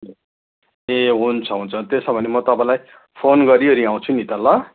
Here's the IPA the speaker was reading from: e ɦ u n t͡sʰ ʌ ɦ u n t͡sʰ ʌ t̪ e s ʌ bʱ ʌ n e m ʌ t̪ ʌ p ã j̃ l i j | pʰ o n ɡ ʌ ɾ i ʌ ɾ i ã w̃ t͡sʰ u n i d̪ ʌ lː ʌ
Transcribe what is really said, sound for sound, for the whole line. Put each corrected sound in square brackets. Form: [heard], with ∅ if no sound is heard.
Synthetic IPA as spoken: e ɦ u n t͡sʰ ʌ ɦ u n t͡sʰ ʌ t̪ e s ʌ bʱ ʌ n e m ʌ t̪ ʌ p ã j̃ l [a] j | pʰ o n ɡ ʌ ɾ i ʌ ɾ i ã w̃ t͡sʰ u n i [t̪] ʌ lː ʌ